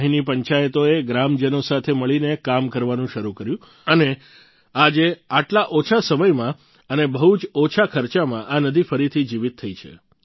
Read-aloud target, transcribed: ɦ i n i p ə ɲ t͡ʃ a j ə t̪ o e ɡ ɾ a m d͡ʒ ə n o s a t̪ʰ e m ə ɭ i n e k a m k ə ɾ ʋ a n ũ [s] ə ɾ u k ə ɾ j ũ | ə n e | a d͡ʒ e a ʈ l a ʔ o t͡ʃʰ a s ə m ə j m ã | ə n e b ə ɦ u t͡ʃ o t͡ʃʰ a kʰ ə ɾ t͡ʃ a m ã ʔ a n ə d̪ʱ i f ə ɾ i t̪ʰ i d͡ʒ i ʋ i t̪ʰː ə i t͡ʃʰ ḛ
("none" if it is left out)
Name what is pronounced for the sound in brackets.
ʃ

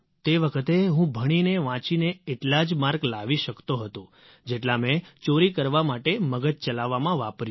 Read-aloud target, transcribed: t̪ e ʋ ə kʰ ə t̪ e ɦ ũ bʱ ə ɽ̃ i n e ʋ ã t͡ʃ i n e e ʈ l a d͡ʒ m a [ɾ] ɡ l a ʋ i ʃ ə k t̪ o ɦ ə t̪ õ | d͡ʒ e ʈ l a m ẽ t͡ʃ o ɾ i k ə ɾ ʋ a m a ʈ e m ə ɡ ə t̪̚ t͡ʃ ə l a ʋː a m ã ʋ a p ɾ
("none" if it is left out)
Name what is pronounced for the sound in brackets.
ɾ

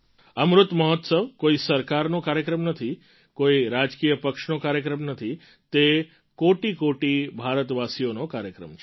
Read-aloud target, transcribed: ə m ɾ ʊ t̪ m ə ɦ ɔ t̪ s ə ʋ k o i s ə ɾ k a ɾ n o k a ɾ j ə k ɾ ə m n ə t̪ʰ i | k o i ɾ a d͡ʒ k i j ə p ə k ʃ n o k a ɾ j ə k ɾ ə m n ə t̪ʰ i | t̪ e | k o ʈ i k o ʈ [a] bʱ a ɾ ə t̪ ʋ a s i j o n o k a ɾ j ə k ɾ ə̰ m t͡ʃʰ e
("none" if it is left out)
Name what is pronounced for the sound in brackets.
i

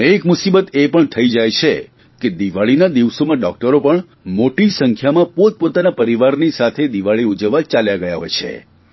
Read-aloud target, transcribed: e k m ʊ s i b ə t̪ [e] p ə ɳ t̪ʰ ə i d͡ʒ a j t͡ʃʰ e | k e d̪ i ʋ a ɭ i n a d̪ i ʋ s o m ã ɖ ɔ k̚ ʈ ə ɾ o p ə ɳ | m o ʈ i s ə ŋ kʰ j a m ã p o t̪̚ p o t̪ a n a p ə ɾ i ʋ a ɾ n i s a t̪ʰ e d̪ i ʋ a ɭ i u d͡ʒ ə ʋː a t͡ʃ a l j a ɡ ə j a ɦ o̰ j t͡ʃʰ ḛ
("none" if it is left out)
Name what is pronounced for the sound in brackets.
e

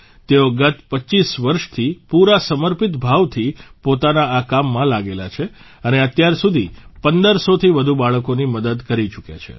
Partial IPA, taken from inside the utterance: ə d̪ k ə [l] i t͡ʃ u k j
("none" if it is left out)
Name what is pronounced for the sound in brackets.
ɾ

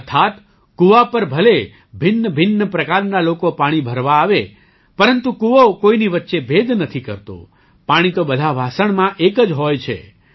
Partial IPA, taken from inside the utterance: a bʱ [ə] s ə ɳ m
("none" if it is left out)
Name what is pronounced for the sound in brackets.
a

